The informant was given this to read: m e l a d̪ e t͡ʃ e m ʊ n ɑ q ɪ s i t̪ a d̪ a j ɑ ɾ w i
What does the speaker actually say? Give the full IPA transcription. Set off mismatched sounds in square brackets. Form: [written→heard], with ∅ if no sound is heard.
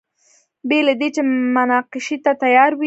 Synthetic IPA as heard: [m→b] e l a d̪ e t͡ʃ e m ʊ n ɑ q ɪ [s→ʃ] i t̪ a [d̪→t̪] a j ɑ ɾ w i